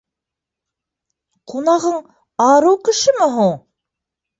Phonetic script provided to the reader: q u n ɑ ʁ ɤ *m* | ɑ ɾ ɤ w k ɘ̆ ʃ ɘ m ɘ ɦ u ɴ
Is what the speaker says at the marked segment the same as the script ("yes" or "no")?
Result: no